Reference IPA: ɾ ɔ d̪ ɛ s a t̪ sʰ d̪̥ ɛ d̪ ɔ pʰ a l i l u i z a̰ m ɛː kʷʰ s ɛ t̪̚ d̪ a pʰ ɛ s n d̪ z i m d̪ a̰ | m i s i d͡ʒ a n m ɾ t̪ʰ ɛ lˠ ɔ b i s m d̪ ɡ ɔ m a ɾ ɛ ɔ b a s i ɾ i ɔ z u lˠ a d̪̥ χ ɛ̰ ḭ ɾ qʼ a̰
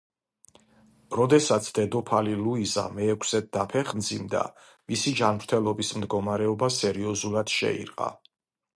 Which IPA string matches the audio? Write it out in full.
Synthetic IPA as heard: ɾ ɔ d̪ ɛ s a t̪ sʰ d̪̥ ɛ d̪ ɔ pʰ a l i l u i z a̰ m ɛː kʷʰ s ɛ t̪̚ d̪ a pʰ ɛ χ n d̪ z i m d̪ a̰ | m i s i d͡ʒ a n m ɾ t̪ʰ ɛ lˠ ɔ b i s m d̪ ɡ ɔ m a ɾ ɛ ɔ b a s ɛ ɾ i ɔ z u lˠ a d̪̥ ʃ ɛ̰ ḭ ɾ qʼ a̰

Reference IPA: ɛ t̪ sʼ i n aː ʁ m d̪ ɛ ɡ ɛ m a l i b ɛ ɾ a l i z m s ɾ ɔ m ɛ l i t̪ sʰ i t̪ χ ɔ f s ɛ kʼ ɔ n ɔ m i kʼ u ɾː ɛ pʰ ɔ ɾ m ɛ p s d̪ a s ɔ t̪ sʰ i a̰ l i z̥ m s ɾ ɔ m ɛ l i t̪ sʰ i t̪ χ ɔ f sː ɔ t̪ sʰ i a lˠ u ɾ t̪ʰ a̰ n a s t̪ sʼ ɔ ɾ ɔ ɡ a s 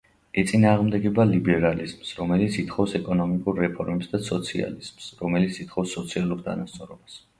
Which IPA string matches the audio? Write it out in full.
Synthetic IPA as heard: ɛ t̪ sʼ i n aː ʁ m d̪ ɛ ɡ ɛ b a l i b ɛ ɾ a l i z m s ɾ ɔ m ɛ l i t̪ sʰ i t̪ χ ɔ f s ɛ kʼ ɔ n ɔ m i kʼ u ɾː ɛ pʰ ɔ ɾ m ɛ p s d̪ a s ɔ t̪ sʰ i a̰ l i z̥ m s ɾ ɔ m ɛ l i t̪ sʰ i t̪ χ ɔ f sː ɔ t̪ sʰ i a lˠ u ɾ t̪ʰ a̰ n a s t̪ sʼ ɔ ɾ ɔ b a s

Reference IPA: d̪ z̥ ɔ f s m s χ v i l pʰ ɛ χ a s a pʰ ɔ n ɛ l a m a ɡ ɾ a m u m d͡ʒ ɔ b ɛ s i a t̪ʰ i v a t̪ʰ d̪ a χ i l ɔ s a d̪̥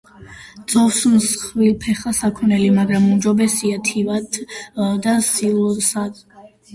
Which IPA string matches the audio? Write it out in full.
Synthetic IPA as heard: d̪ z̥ ɔ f s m s χ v i l pʰ ɛ χ a s a kʰ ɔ n ɛ l i m a ɡ ɾ a m u m d͡ʒ ɔ b ɛ s i a t̪ʰ i v a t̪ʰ d̪ a s i l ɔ s a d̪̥

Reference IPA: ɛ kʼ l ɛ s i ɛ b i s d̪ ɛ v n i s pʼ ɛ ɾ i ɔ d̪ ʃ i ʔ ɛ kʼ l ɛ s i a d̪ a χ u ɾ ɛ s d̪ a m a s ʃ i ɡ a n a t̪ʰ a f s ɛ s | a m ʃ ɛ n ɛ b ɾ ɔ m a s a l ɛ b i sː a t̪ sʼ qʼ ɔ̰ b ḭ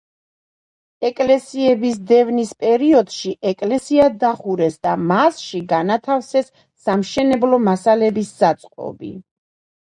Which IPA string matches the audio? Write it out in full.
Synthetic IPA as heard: ɛ kʼ l ɛ s i ɛ b i s d̪ ɛ v n i s pʼ ɛ ɾ i ɔ d̪ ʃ i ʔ ɛ kʼ l ɛ s i a d̪ a χ u ɾ ɛ s d̪ a m a s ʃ i ɡ a n a t̪ʰ a f s ɛ sː | a m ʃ ɛ n ɛ b l ɔ m a s a l ɛ b i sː a t̪ sʼ qʼ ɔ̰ b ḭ

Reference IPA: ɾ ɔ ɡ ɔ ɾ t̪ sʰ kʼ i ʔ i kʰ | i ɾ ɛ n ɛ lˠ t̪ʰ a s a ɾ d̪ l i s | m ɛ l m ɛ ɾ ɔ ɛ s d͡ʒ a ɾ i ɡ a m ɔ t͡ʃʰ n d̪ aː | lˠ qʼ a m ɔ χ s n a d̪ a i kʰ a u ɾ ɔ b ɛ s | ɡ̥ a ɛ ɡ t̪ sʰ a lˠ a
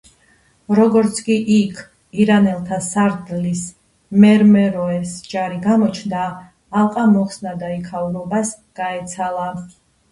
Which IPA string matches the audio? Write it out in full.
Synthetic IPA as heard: ɾ ɔ ɡ ɔ ɾ t̪ sʰ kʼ i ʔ i kʰ | i ɾ a n ɛ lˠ t̪ʰ a s a ɾ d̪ l i s | m ɛ ɾ m ɛ ɾ ɔ ɛ s d͡ʒ a ɾ i ɡ a m ɔ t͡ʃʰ n d̪ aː | lˠ qʼ a m ɔ χ s n a d̪ a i kʰ a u ɾ ɔ b a s | ɡ̥ a ɛ t̪ sʰ a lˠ a

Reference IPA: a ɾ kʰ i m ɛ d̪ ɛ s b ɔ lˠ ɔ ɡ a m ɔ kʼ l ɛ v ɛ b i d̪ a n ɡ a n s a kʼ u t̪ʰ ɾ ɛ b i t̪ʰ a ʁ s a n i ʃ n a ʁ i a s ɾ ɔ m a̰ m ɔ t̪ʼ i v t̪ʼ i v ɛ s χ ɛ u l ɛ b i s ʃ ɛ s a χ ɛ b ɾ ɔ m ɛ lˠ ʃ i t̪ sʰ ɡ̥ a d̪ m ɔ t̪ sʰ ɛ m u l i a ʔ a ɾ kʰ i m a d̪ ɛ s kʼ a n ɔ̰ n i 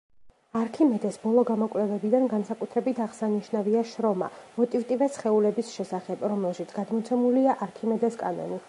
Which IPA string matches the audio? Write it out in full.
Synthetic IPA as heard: a ɾ kʰ i m ɛ d̪ ɛ s b ɔ lˠ ɔ ɡ a m ɔ kʼ l ɛ v ɛ b i d̪ a n ɡ a n s a kʼ u t̪ʰ ɾ ɛ b i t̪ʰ a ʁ s a n i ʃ n a v i a ʃ ɾ ɔ m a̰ m ɔ t̪ʼ i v t̪ʼ i v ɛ s χ ɛ u l ɛ b i s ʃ ɛ s a χ ɛ b ɾ ɔ m ɛ lˠ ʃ i t̪ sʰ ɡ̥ a d̪ m ɔ t̪ sʰ ɛ m u l i a ʔ a ɾ kʰ i m ɛ d̪ ɛ s kʼ a n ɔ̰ n i

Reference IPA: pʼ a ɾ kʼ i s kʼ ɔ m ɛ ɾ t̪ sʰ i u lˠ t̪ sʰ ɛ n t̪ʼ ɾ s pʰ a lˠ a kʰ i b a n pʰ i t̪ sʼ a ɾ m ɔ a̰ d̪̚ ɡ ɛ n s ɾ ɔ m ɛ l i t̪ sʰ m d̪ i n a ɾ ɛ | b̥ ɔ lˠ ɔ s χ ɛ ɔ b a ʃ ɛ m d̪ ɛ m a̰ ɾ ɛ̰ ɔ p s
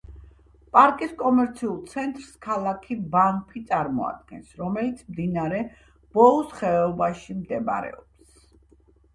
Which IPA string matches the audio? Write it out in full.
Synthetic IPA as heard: pʼ a ɾ kʼ i s kʼ ɔ m ɛ ɾ t̪ sʰ i u lˠ t̪ sʰ ɛ n t̪ʼ ɾ s kʰ a lˠ a kʰ i b a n pʰ i t̪ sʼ a ɾ m ɔ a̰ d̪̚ ɡ ɛ n s ɾ ɔ m ɛ l i t̪ sʰ m d̪ i n a ɾ ɛ | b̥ ɔ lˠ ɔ s χ ɛ ɔ b a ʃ i m d̪ ɛ m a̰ ɾ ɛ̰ ɔ p s

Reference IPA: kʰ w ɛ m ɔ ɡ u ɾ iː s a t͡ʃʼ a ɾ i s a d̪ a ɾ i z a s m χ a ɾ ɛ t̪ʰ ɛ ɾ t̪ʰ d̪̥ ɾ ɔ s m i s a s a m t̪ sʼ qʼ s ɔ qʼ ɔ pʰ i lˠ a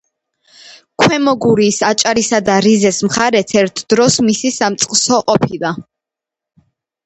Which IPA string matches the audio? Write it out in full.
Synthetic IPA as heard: kʰ w ɛ m ɔ ɡ u ɾ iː s a t͡ʃʼ a ɾ i s a d̪ a ɾ i z ɛ s m χ a ɾ ɛ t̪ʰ ɛ ɾ t̪ʰ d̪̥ ɾ ɔ s m i s i s a m t̪ sʼ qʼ s ɔ qʼ ɔ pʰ i lˠ a

